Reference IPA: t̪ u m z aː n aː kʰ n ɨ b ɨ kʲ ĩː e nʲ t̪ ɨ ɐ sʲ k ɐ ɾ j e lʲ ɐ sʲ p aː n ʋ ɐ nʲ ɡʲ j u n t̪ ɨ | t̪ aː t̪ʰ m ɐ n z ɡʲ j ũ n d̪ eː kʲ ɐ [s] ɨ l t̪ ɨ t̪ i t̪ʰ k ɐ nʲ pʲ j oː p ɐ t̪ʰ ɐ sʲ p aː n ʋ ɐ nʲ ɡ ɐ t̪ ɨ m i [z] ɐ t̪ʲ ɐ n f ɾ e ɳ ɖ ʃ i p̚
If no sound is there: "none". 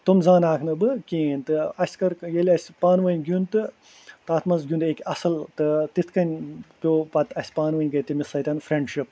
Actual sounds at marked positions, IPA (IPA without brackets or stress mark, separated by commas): s, s